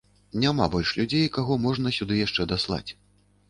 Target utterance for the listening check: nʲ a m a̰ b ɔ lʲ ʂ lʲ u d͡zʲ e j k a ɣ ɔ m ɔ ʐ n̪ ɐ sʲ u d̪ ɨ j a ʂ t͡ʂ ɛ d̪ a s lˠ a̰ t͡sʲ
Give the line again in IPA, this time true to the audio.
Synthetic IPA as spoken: nʲ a m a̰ b ɔ lʲ ʂ lʲ u d͡zʲ e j k a ɣ ɔ m ɔ ʐ n̪ ɐ sʲ u d̪ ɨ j a ʂ t͡ʂ ɛ d̪ a s lˠ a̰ t͡sʲ